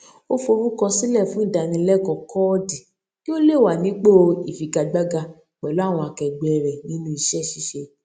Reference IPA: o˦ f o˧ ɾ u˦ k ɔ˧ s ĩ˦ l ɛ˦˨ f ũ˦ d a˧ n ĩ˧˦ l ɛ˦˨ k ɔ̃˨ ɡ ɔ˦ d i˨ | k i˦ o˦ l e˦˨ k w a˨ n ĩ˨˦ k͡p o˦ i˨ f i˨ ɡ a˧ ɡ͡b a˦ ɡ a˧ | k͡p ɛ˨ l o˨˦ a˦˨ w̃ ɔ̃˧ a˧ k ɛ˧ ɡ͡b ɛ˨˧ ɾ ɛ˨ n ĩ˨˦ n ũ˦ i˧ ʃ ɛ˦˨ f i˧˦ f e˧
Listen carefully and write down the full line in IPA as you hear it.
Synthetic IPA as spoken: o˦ f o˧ ɾ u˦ k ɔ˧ s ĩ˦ l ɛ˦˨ f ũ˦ d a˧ n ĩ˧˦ l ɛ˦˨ k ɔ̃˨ k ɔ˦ d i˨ | k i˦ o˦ l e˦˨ w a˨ n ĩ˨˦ k͡p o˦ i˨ f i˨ ɡ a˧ ɡ͡b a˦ ɡ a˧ | k͡p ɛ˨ l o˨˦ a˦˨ w̃ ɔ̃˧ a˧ k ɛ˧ ɡ͡b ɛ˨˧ ɾ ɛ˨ n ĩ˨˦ n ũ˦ i˧ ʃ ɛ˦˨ ʃ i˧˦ ʃ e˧